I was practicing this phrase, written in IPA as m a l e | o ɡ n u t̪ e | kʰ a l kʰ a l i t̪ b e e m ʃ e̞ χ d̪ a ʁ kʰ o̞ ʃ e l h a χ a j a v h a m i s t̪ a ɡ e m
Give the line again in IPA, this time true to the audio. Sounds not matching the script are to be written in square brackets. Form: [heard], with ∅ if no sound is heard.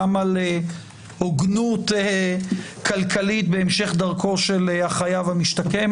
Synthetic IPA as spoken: m a l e | o ɡ n u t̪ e | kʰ a l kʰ a l i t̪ b e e m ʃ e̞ χ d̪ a ʁ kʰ o̞ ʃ e l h a χ a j a v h a m i [ʃ] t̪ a [k] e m